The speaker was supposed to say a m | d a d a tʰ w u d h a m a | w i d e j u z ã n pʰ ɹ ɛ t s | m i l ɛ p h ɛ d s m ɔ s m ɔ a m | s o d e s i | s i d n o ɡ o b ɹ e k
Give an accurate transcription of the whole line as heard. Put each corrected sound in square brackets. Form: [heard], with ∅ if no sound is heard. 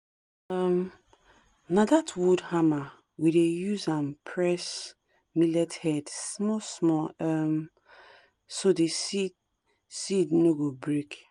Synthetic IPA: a m | [n] a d a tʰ w u d h a m a | w i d e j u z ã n pʰ ɹ ɛ [∅] s | m i l ɛ [t] h ɛ d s m ɔ s m ɔ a m | s o d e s i | s i d n o ɡ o b ɹ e k